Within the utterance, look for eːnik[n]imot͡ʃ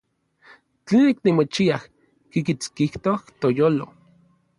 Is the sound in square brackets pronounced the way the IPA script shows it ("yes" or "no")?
yes